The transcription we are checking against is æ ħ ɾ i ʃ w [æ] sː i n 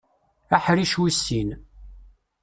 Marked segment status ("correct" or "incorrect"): incorrect